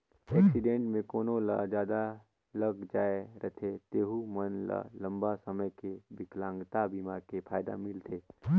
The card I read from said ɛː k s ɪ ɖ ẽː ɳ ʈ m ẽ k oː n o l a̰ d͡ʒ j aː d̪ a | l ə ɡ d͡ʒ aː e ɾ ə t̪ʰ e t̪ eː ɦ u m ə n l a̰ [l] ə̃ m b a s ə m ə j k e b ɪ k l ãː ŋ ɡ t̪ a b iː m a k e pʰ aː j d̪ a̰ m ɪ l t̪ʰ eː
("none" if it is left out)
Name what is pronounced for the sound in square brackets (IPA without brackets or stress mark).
l